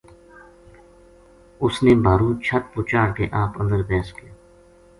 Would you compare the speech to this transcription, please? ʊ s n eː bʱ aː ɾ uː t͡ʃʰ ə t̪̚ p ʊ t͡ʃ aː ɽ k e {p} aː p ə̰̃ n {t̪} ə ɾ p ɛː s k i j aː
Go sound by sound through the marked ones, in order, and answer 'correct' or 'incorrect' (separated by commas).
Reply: incorrect, incorrect